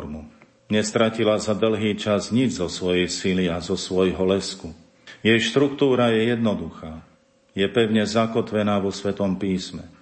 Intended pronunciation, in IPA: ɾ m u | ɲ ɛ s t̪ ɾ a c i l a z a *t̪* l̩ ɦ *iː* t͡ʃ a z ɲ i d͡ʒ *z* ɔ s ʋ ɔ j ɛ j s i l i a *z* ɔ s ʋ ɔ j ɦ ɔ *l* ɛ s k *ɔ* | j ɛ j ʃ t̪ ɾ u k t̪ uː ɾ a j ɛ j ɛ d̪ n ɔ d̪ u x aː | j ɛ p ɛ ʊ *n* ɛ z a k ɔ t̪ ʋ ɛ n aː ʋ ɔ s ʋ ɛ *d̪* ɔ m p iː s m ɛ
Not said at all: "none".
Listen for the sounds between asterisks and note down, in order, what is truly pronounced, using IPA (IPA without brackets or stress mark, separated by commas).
d̪, iː, z, z, l, u, ɲ, t̪